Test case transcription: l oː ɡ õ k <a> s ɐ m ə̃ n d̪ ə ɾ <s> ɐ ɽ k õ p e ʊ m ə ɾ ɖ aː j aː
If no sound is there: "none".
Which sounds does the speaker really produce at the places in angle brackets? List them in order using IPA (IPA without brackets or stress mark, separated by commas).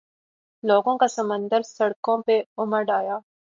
a, s